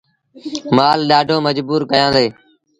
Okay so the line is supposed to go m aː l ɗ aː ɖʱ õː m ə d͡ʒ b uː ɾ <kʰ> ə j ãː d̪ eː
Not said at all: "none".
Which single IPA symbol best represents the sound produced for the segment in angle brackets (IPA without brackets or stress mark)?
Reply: k